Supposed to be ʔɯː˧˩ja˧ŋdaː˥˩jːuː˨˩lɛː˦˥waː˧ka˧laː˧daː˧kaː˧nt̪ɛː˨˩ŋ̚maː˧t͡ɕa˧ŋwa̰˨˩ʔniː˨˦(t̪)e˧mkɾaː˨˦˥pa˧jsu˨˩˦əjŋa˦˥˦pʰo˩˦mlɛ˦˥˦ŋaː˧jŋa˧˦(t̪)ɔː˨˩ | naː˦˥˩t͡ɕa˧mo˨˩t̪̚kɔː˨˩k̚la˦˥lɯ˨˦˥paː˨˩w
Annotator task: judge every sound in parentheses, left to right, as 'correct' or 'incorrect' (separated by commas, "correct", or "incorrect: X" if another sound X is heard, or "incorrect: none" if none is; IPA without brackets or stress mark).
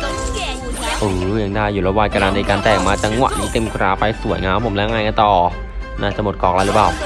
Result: correct, correct